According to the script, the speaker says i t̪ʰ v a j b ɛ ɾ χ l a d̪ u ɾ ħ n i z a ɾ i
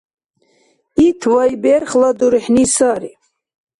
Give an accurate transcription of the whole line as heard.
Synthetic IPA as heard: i t̪ʰ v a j b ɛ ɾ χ l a d̪ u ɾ ħ n i s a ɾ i